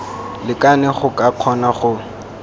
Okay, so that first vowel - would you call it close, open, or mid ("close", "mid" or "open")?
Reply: close